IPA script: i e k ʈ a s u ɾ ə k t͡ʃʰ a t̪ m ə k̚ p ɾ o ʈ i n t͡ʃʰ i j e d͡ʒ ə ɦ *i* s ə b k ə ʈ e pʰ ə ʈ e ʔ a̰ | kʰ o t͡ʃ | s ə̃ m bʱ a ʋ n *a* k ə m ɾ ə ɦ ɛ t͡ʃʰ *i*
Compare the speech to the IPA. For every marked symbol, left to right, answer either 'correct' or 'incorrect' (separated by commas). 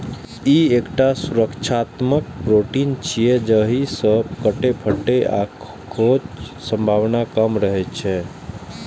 correct, correct, incorrect